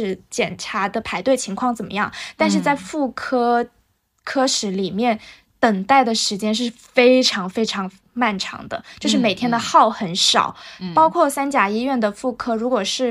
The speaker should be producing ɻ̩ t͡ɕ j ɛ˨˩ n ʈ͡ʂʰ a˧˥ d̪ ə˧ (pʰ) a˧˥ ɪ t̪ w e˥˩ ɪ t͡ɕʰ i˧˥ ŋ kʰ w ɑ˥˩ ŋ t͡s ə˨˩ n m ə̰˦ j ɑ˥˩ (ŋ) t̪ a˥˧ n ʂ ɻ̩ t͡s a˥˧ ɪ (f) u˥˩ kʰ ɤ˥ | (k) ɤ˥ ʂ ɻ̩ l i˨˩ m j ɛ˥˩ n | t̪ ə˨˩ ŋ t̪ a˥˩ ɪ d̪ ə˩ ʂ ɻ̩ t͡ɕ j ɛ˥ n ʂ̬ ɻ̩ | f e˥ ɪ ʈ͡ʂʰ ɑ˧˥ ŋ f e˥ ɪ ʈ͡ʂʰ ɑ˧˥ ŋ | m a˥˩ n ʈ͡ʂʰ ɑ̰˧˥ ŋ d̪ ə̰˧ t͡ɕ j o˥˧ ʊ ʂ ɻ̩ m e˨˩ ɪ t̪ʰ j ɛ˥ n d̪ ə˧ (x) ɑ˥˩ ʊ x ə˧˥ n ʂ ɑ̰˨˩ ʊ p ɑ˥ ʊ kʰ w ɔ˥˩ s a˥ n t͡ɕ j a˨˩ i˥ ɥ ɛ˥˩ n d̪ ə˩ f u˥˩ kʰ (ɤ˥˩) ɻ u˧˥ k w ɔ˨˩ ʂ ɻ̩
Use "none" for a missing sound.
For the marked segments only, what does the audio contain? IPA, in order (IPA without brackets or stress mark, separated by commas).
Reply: pʰ, ŋ, f, kʰ, x, ɤ˥